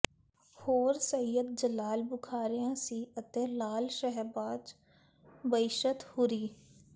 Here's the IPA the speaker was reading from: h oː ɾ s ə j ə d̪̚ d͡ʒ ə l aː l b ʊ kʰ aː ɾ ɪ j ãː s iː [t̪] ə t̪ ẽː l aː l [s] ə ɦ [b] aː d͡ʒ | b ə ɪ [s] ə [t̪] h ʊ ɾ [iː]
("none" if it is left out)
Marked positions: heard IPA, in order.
none, ʃ, b, ʃ, t̪, iː

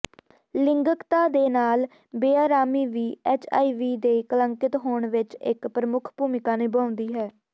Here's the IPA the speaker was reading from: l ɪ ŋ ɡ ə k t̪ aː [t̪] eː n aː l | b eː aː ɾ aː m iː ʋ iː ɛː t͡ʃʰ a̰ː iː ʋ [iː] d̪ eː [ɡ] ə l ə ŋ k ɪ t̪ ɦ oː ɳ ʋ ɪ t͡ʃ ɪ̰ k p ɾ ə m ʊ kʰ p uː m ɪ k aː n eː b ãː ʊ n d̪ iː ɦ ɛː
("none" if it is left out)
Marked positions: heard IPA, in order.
d̪, iː, k

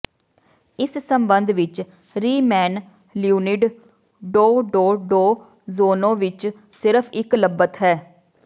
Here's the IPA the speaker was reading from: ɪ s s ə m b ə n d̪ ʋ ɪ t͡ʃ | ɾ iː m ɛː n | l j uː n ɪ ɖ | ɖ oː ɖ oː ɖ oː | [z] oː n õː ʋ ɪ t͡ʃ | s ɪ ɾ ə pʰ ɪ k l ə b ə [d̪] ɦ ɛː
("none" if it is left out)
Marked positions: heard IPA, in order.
z, t̪

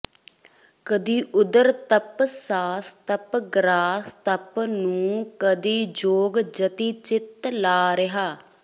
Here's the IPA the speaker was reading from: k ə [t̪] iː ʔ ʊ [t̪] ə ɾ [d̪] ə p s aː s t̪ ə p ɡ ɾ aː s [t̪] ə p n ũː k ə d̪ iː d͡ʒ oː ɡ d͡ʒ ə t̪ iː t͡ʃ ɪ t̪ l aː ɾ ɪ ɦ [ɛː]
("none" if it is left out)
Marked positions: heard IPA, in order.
d̪, d̪, t̪, t̪, aː

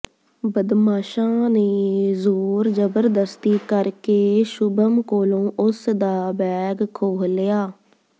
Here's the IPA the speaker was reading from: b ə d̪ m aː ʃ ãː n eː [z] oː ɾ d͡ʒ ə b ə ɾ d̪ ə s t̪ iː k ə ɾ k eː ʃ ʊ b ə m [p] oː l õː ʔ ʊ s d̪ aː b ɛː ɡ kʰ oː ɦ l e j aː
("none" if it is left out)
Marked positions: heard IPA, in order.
z, k

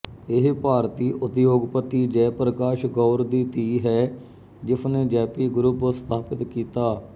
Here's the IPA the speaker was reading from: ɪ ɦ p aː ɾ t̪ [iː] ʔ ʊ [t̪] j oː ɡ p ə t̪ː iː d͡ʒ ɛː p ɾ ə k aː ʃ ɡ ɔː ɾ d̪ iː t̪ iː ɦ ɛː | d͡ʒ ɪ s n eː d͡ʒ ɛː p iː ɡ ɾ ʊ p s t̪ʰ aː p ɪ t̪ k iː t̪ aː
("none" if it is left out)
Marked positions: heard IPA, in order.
iː, t̪

